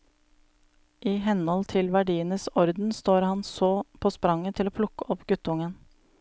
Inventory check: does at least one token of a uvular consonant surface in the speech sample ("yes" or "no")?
no